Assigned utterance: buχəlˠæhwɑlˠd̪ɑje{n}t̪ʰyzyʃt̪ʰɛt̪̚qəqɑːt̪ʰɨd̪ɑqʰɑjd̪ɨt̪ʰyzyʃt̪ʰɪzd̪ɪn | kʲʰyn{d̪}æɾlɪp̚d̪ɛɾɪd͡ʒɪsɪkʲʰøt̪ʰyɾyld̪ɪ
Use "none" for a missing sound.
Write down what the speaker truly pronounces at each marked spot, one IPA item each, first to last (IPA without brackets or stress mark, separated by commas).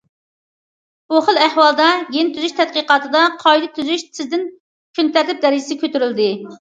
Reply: n, t̪